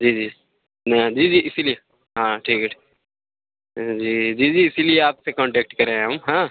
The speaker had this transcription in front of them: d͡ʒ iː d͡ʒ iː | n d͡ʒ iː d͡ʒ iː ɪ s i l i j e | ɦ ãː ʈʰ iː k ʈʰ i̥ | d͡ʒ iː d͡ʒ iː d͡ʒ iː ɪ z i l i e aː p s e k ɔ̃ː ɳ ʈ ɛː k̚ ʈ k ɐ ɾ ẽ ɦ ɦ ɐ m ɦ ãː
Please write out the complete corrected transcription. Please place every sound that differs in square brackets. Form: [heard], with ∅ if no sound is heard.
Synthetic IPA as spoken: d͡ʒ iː d͡ʒ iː | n d͡ʒ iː d͡ʒ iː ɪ s i l i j e | ɦ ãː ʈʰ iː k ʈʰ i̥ | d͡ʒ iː d͡ʒ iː d͡ʒ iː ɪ [s] i l i e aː p s e k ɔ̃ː ɳ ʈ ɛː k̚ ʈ k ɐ ɾ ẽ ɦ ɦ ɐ m ɦ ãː